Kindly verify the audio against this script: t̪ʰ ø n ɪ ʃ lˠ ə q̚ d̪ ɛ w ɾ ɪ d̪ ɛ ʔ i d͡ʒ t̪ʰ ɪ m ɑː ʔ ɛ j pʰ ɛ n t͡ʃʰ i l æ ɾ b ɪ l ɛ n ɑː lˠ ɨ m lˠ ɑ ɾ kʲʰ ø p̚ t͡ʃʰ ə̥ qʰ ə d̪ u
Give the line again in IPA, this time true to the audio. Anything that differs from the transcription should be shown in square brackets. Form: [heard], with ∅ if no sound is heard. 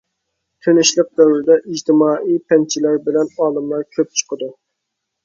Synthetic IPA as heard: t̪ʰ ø n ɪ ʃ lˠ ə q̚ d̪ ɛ w ɾ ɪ d̪ ɛ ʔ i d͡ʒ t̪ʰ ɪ m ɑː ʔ [i] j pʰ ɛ n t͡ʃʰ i l æ ɾ b ɪ l ɛ n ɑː lˠ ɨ m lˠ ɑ ɾ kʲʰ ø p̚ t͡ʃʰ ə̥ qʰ ə d̪ u